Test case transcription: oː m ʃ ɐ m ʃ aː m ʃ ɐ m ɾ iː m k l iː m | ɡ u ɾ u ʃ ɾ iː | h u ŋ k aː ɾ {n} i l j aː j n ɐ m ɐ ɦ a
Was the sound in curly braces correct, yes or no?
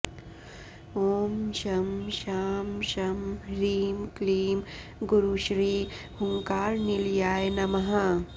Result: yes